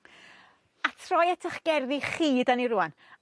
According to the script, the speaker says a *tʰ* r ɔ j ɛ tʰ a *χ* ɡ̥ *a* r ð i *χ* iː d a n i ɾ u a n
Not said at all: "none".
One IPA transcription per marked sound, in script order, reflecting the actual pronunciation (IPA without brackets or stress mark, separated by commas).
tʰ, χ, ɛ, χ